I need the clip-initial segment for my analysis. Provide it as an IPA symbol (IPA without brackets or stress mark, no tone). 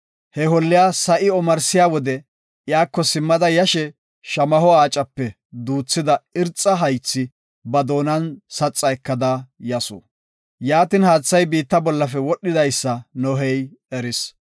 h